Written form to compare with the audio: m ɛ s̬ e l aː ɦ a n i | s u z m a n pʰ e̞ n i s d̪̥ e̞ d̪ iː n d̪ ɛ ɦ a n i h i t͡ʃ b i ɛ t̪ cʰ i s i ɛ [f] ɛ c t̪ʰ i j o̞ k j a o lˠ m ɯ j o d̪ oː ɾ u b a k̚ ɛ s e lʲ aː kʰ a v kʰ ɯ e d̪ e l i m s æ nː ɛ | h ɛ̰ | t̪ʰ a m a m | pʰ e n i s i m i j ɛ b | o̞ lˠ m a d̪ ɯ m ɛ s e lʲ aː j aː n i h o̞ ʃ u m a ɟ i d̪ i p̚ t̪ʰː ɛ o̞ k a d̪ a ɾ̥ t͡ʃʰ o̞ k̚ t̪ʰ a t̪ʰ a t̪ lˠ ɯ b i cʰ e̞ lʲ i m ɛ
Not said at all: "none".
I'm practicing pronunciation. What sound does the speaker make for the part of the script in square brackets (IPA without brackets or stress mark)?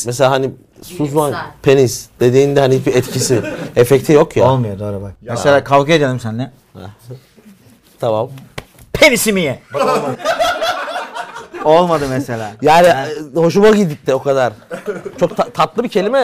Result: f